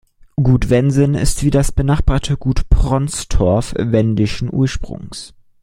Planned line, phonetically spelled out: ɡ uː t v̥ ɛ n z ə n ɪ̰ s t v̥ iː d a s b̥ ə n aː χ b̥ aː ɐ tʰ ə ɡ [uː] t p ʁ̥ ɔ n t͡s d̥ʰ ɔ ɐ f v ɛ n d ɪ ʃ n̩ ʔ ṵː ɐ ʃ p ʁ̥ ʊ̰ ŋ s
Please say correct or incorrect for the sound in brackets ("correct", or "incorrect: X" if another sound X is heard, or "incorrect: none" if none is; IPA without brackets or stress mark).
correct